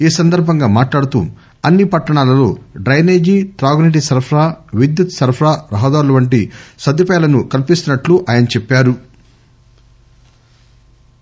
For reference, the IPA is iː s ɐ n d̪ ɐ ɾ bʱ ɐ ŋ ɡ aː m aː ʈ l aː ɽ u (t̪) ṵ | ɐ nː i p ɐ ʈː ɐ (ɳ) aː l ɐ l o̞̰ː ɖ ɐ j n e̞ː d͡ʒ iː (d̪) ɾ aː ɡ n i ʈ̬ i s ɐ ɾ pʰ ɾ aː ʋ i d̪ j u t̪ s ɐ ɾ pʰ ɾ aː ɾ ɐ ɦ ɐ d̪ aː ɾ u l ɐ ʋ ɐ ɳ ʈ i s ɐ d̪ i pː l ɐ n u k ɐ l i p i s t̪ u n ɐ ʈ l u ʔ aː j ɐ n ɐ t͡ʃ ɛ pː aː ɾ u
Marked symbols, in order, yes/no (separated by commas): yes, yes, no